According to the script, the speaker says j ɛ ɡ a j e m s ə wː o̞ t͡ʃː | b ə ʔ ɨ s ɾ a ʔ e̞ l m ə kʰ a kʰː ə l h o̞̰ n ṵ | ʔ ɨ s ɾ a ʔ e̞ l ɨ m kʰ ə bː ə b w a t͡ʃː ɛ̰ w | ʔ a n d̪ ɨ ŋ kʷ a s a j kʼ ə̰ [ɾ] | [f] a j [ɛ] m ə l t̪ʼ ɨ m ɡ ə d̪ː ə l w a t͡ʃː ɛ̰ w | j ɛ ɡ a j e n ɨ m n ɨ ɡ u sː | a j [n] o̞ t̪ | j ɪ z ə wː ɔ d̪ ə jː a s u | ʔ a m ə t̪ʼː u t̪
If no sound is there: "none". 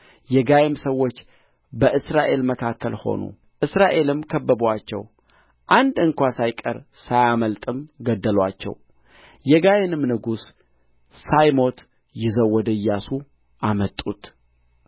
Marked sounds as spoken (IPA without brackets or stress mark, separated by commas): ɾ, s, a, m